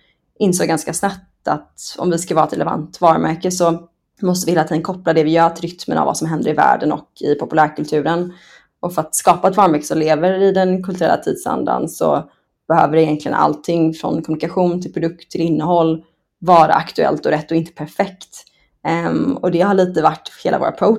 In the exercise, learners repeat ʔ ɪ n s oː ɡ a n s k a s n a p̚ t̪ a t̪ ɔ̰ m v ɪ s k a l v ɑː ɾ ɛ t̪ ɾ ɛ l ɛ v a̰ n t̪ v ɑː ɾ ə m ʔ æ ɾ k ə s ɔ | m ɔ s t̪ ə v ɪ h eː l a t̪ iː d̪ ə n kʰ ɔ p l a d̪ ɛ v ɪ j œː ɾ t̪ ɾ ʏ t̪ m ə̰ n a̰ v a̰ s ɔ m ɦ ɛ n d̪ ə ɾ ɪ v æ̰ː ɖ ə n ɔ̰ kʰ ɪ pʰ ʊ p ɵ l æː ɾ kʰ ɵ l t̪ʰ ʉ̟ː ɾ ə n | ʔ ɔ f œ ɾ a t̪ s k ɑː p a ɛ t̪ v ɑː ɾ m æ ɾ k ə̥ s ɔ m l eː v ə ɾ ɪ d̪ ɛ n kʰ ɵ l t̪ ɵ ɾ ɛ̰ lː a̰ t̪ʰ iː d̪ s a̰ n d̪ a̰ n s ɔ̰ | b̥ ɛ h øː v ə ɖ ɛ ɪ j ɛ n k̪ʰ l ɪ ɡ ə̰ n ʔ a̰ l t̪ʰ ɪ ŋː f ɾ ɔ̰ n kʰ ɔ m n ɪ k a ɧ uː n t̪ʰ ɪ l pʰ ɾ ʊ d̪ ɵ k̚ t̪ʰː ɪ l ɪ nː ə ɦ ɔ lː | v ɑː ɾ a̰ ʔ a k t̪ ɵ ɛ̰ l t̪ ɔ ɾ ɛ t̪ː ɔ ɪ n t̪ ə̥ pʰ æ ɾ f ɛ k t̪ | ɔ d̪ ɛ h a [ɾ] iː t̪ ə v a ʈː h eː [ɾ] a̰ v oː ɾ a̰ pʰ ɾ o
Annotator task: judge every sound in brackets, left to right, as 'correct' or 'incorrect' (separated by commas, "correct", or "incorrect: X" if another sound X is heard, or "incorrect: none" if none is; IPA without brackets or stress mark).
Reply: incorrect: ɭ, incorrect: l